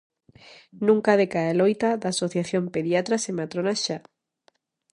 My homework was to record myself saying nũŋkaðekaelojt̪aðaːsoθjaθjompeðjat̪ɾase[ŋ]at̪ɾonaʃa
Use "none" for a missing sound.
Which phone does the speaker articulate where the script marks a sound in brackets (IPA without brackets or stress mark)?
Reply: m